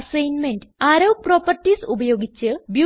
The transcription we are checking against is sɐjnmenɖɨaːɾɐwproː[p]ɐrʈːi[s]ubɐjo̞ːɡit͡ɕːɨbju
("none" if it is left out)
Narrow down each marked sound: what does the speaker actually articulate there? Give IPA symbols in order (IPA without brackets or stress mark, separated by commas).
p, s